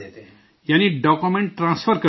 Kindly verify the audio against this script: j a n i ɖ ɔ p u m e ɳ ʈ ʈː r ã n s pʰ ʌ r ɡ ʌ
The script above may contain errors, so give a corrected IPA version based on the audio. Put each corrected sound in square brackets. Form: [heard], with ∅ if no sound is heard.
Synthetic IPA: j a n i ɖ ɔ [k] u m e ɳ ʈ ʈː r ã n s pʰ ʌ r [k] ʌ